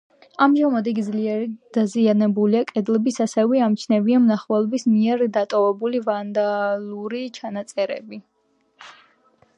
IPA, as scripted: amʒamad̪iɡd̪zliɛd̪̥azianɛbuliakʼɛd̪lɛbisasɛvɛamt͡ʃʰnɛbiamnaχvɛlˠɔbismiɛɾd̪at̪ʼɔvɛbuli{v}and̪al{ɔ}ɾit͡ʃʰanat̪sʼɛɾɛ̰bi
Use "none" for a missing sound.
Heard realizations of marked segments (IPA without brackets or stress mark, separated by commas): v, u